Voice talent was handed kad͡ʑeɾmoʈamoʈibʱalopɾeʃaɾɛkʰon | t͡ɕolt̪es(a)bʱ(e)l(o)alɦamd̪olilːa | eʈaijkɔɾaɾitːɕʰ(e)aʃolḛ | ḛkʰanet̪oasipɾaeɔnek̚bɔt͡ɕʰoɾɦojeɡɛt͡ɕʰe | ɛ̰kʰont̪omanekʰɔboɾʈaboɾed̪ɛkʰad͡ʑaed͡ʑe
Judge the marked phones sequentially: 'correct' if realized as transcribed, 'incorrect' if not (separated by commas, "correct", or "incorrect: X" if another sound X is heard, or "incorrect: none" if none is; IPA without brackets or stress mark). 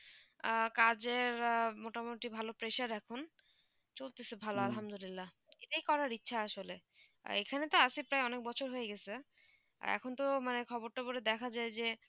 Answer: incorrect: e, incorrect: a, correct, incorrect: a